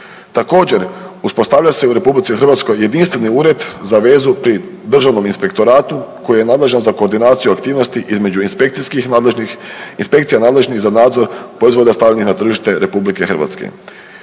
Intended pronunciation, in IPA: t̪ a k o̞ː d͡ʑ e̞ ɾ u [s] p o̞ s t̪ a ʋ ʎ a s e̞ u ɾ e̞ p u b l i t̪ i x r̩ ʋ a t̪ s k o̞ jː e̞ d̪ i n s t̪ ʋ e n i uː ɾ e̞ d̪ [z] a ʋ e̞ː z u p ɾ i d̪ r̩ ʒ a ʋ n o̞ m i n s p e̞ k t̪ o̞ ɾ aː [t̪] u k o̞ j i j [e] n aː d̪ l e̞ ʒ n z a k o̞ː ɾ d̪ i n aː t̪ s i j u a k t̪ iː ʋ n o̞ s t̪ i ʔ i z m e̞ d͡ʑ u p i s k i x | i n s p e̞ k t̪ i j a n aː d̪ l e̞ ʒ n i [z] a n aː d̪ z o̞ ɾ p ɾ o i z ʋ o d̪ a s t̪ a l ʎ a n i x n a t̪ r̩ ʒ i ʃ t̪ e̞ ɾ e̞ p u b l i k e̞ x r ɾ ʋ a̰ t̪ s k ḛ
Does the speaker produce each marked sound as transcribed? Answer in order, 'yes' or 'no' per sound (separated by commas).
yes, yes, yes, yes, yes